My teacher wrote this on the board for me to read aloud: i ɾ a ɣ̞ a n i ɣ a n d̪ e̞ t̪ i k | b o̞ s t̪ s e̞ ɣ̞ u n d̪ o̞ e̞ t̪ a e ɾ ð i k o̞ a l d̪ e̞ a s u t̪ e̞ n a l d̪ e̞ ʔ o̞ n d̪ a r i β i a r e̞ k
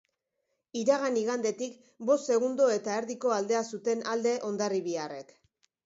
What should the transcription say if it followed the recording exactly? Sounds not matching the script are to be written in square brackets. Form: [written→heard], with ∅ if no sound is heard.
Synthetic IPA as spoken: i ɾ a ɣ̞ a n i ɣ a n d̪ e̞ t̪ i k | b o̞ s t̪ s e̞ ɣ̞ u n d̪ o̞ e̞ t̪ a e ɾ ð i k o̞ a l d̪ e̞ a s u t̪ e̞ n a l d̪ e̞ ʔ o̞ n d̪ a r i β i a r e̞ k